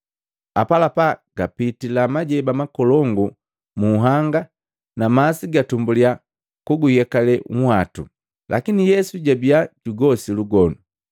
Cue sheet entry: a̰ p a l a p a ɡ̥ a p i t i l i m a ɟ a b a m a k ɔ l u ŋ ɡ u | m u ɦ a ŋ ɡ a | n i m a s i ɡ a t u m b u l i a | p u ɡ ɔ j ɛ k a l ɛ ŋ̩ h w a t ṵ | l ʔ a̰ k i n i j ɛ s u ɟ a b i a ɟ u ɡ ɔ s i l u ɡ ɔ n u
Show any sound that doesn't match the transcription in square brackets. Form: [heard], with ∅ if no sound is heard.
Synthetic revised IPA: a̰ p a l a p a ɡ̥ a p i t i l [a] m a ɟ [ɛ] b a m a k ɔ l [ɔ] ŋ ɡ u | m u ɦ a ŋ ɡ a | n [a] m a s i ɡ a t u m b u l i a | [k] u ɡ [u] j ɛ k a l ɛ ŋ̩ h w a t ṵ | l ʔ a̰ k i n i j ɛ s u ɟ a b i a ɟ u ɡ ɔ s i l u ɡ ɔ n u